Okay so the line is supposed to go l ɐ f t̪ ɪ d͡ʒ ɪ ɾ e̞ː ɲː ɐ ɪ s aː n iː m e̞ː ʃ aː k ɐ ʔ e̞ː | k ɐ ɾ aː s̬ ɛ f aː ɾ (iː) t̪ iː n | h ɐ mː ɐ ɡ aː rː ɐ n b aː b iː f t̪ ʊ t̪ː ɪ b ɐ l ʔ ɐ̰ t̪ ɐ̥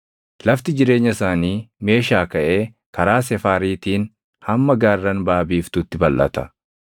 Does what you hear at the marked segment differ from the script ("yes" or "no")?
no